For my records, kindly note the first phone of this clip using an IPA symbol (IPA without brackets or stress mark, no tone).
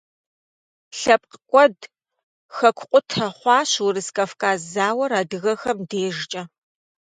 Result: ɬ